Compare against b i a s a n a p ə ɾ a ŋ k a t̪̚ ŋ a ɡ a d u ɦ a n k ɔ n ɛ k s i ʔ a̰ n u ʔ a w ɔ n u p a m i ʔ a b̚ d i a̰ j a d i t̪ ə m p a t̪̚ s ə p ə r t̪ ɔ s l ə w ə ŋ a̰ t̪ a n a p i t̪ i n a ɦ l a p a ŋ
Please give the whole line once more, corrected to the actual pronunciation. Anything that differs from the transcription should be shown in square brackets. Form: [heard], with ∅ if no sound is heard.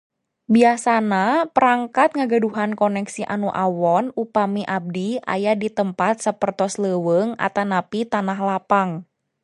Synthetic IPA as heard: b i a s a n a p ə ɾ a ŋ k a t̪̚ ŋ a ɡ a d u ɦ a n k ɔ n ɛ k s i ʔ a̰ n u ʔ a w ɔ n u p a m i ʔ a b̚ d i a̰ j a d i t̪ ə m p a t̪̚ s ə p ə r t̪ ɔ s l ə w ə ŋ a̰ t̪ a n a p i t̪ [a] n a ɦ l a p a ŋ